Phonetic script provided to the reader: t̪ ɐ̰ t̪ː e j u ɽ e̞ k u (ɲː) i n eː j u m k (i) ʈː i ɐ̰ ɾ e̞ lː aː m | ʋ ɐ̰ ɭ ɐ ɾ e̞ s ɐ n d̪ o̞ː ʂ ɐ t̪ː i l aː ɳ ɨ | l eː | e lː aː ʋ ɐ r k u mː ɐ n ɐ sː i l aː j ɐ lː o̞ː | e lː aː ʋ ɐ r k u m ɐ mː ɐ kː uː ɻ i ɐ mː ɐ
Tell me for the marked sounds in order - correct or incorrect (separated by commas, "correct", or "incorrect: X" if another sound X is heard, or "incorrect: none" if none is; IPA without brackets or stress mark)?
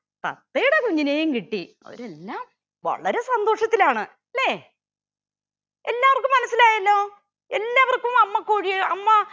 correct, correct